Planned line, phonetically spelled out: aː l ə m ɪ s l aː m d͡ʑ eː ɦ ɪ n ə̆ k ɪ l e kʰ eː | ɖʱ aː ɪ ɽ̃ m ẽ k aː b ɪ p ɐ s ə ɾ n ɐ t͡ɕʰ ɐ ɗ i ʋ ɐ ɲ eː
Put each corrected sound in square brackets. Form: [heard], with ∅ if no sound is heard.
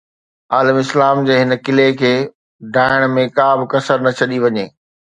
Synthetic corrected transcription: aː l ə m ɪ s l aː m d͡ʑ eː ɦ ɪ n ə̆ k ɪ l e kʰ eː | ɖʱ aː ɪ ɽ̃ m ẽ k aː b ɪ [k] ɐ s ə ɾ n ɐ t͡ɕʰ ɐ ɗ i ʋ ɐ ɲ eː